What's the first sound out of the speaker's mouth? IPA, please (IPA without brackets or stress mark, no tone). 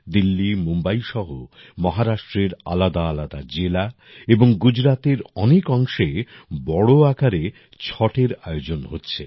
d̪